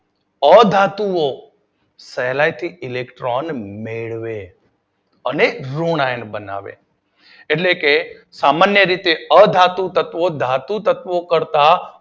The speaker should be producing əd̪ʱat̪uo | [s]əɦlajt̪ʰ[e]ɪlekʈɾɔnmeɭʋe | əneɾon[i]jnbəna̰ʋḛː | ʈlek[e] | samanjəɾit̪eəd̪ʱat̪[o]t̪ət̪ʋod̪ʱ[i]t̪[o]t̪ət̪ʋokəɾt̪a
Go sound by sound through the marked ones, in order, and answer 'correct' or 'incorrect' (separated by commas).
correct, incorrect, incorrect, correct, incorrect, incorrect, incorrect